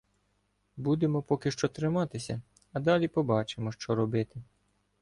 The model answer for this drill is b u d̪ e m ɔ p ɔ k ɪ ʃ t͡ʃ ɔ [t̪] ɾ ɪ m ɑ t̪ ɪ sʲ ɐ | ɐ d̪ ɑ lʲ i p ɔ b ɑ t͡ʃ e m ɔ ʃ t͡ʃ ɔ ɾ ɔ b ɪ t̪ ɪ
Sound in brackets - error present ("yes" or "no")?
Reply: no